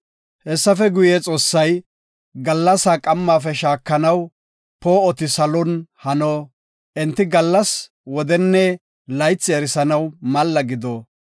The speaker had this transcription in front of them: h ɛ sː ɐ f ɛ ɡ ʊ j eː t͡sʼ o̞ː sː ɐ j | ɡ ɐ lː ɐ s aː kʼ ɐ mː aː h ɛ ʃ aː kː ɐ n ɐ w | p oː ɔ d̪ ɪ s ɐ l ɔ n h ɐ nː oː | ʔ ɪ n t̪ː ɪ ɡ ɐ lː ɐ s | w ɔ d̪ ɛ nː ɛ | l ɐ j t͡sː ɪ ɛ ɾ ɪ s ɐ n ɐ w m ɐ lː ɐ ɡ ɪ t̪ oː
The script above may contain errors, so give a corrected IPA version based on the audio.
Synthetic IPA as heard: h ɛ sː ɐ f ɛ ɡ ʊ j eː t͡sʼ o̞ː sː ɐ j | ɡ ɐ lː ɐ s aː kʼ ɐ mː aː f ɛ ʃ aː kː ɐ n ɐ w | p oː ɔ t̪ ɪ s ɐ l ɔ n h ɐ n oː | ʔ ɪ n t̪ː ɪ ɡ ɐ lː ɐ s | w ɔ d̪ ɛ nː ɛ | l ɐ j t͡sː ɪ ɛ ɾ ɪ s ɐ n ɐ w m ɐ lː ɐ ɡ ɪ d̪ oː